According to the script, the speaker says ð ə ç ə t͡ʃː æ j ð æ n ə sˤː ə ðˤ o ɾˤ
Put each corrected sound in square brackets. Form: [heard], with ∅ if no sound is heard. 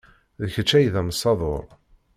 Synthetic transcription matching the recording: ð ə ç ə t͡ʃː æ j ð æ [m] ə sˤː [ɑ] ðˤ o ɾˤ